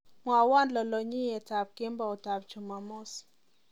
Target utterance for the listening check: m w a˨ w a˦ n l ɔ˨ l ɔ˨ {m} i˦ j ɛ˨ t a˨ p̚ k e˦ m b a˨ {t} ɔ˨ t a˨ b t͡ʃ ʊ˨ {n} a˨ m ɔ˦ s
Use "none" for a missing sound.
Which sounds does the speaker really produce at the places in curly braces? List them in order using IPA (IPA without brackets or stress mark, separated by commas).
ɲ, none, m